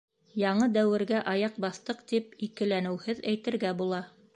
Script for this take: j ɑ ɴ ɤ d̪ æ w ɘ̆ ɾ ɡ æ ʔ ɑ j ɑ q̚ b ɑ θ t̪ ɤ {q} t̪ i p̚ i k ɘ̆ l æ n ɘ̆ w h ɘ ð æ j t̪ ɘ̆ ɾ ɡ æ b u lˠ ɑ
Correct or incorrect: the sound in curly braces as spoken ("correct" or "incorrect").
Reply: correct